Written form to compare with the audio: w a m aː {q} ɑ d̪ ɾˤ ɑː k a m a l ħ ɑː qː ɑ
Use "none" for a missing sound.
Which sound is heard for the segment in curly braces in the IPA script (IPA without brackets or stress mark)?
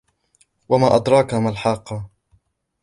ʔ